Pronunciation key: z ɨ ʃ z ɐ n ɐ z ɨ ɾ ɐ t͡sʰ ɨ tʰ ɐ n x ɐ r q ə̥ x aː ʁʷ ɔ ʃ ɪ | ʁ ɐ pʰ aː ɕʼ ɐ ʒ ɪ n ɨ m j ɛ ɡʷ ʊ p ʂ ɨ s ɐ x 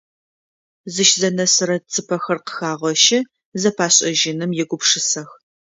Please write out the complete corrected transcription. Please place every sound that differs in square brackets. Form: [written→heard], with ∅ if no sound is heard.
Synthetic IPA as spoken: z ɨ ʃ z ɐ n ɐ [z→s] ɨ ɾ ɐ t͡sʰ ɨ [tʰ→pʰ] ɐ [n→∅] x ɐ r q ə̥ x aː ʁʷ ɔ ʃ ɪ | [ʁ→z] ɐ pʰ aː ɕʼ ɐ ʒ ɪ n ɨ m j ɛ ɡʷ ʊ p ʂ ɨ s ɐ x